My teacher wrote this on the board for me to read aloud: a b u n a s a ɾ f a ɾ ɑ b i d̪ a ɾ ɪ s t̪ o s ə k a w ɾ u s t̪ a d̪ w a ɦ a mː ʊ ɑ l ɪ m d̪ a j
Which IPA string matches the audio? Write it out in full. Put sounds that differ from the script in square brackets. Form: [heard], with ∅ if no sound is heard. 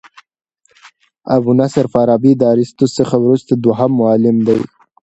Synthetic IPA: a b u n a s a ɾ f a ɾ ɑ b i d̪ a ɾ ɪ s t̪ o s ə [x] a w ɾ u s t̪ a d̪ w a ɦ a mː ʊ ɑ l ɪ m d̪ a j

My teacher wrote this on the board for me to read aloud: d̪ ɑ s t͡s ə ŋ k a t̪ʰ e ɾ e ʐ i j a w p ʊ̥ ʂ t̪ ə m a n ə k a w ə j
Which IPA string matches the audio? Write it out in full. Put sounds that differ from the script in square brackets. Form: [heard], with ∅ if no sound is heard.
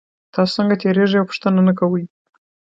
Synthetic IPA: [t̪] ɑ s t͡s ə ŋ [ɡ] a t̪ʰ e ɾ e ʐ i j a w p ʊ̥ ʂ t̪ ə [n] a n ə k a w ə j

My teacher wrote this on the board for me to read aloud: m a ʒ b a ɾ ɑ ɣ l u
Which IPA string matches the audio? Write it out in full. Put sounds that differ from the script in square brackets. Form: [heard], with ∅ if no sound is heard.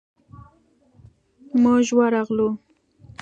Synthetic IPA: m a ʒ [w] a ɾ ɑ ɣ l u

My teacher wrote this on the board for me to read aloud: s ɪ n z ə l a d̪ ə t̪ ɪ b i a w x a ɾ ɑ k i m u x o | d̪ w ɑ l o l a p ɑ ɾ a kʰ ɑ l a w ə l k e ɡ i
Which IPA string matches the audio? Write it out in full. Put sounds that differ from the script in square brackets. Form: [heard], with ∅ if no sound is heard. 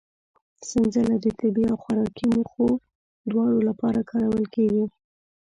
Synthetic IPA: s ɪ n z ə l a d̪ ə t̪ ɪ b i a w x a ɾ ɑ k i m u x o | d̪ w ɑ [ɽ] o l a p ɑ ɾ a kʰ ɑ [ɾ] a w ə l k e ɡ i

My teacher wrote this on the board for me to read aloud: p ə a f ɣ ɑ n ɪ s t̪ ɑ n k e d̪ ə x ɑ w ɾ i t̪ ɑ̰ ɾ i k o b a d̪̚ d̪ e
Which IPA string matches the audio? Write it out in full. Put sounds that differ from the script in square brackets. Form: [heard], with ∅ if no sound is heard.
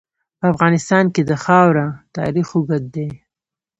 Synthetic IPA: p ə a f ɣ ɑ n ɪ s t̪ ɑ n k e d̪ ə x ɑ w ɾ [a] t̪ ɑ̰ ɾ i [x] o [ɡ] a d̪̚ d̪ e

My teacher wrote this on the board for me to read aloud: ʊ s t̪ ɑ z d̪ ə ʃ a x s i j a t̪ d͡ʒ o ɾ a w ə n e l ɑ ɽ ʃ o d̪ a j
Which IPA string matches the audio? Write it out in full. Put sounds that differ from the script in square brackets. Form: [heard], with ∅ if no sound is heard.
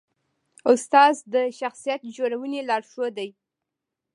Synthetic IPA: ʊ s t̪ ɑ z d̪ ə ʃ a x s i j a t̪ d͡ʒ o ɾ a w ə n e l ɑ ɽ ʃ o d̪ a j

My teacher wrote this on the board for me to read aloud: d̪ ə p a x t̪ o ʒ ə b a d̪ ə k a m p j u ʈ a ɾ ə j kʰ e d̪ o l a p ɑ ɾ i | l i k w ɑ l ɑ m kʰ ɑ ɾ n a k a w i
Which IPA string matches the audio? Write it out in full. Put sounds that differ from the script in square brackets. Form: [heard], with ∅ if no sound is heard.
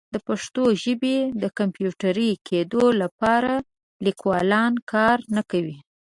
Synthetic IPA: d̪ ə p a [ʂ] t̪ o ʒ ə b [e] d̪ ə k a m p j u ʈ a ɾ ə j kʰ e d̪ o l a p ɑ ɾ [a] | l i k w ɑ l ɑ [n] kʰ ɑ ɾ n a k a w i

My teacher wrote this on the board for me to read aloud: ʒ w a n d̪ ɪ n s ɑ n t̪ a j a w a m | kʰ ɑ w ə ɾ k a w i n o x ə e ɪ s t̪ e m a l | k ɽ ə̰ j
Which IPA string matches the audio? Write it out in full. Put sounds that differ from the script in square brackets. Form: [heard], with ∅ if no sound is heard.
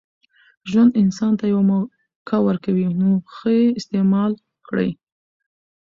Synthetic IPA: ʒ w a n d̪ ɪ n s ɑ n t̪ a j a w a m | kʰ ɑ w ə ɾ k a w i n o x ə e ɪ s t̪ e m [ɑ] l | k ɽ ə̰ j

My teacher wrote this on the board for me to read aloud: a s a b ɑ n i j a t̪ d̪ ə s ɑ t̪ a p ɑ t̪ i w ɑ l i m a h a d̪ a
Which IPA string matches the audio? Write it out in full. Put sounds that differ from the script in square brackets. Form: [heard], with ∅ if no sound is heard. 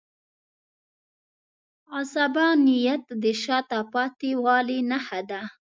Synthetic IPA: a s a b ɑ n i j a t̪ d̪ ə [ʃ] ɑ t̪ a p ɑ t̪ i w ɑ l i [n] a h a d̪ a

